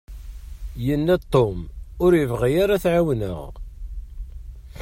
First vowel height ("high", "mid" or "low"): mid